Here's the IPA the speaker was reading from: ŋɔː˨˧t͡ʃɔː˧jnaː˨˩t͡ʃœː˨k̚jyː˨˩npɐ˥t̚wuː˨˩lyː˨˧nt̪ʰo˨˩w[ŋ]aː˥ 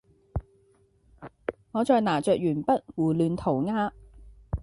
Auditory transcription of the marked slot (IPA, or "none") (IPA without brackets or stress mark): ŋ